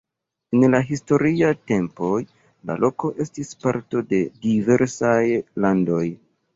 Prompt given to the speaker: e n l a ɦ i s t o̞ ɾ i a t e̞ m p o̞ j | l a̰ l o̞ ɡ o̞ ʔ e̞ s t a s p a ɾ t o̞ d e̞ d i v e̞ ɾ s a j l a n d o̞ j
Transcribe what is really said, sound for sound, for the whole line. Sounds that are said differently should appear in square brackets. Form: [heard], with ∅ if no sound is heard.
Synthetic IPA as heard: e n l a ɦ i s t o̞ ɾ i a t e̞ m p o̞ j | l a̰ l o̞ [k] o̞ ʔ e̞ s t [i] s p a ɾ t o̞ d e̞ d i v e̞ ɾ s a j l a n d o̞ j